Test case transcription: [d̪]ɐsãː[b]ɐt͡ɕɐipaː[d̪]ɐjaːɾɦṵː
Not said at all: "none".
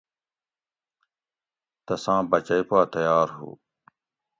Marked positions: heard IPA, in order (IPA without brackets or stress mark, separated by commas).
t̪, b, t̪